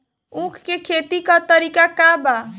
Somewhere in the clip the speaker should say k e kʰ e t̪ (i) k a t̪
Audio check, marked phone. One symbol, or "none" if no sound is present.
i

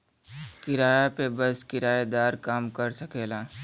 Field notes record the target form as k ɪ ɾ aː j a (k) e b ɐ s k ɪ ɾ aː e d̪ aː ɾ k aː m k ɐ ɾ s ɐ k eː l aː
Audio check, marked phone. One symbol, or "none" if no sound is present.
p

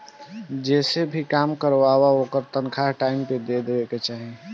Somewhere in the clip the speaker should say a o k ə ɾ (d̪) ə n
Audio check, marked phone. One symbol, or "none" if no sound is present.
t̪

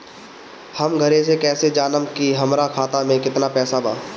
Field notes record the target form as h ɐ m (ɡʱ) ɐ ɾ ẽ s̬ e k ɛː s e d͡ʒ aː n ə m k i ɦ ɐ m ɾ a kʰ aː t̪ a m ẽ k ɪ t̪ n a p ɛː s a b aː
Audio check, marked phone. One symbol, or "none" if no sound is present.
ɡʱ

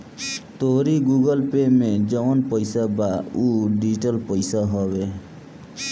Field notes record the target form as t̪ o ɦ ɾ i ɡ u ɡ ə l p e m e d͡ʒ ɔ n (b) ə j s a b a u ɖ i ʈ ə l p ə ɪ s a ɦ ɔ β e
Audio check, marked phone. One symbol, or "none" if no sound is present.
p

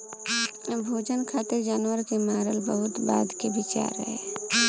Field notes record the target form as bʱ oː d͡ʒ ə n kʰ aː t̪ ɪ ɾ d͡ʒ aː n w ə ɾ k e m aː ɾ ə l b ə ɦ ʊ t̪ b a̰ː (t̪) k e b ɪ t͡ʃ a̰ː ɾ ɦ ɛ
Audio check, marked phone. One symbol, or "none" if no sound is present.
d̪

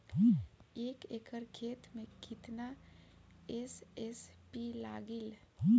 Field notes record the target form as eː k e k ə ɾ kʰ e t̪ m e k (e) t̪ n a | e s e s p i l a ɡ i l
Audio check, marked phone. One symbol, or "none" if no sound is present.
i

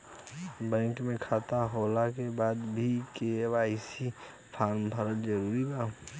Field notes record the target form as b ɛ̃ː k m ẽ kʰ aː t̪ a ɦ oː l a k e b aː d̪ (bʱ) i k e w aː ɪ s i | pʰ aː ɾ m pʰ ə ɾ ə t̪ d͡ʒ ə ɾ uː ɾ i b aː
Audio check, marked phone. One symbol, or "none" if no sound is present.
bʱ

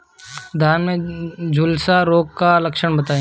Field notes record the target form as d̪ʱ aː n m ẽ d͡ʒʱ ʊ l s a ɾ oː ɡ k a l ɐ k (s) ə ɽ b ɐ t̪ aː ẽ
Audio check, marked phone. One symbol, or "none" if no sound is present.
ʃ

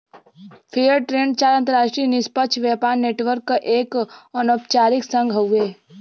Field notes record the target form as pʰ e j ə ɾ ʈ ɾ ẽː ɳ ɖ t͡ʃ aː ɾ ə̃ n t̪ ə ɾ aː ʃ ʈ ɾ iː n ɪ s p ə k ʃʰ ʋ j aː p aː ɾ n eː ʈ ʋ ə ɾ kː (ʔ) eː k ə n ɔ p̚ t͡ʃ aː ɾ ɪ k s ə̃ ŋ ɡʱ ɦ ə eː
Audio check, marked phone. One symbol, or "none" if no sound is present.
ʔ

